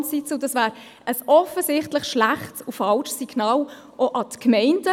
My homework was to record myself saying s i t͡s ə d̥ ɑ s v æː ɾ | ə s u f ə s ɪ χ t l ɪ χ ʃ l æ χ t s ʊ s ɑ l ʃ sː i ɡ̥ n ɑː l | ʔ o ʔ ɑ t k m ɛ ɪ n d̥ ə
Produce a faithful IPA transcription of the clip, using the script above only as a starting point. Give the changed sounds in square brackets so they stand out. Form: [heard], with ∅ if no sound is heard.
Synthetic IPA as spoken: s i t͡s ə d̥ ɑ s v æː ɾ | ə s [ɔ] f ə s ɪ χ t l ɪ χ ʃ l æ χ t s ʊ [f] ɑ l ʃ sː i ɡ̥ n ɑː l | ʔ o ʔ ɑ t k m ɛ ɪ n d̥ ə